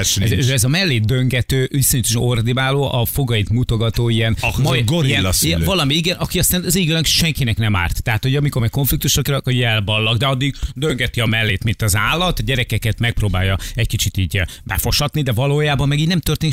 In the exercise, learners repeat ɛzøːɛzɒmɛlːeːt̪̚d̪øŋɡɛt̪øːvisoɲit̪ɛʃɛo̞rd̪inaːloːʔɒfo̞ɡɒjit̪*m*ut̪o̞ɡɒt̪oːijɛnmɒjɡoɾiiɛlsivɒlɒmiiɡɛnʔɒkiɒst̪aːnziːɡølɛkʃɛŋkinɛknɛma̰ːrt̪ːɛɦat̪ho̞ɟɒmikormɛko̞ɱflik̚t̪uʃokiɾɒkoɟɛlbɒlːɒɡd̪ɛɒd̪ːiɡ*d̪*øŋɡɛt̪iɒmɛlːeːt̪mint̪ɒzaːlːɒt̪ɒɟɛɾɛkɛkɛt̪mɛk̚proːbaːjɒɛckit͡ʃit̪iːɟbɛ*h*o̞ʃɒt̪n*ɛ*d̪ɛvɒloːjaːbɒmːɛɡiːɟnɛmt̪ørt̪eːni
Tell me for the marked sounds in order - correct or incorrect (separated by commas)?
correct, correct, incorrect, incorrect